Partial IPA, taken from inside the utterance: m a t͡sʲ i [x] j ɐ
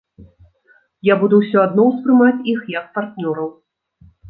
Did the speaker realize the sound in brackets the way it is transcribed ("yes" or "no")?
yes